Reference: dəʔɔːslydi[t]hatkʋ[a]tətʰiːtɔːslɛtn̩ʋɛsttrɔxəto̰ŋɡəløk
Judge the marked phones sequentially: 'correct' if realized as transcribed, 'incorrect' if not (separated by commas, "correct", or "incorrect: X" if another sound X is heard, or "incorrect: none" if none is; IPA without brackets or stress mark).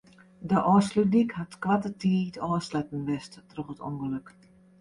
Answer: incorrect: k, correct